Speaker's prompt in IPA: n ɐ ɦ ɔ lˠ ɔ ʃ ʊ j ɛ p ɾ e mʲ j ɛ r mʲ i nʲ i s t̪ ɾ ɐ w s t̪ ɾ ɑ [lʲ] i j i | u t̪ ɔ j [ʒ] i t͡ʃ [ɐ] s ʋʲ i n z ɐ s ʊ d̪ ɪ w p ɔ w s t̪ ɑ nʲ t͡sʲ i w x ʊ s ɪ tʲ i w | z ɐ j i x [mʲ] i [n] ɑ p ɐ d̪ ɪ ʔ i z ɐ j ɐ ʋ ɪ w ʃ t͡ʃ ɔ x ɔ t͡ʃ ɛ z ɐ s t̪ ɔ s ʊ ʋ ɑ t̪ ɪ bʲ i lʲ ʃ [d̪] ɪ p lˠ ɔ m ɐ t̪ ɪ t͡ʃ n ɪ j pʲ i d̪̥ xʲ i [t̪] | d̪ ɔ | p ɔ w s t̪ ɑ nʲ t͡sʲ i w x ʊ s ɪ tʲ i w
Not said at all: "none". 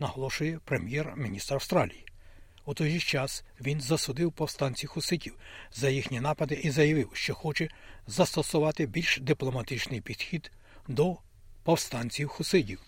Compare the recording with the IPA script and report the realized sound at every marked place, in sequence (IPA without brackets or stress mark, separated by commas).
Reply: lʲ, ʒ, ɑ, nʲ, n, d̪, d̪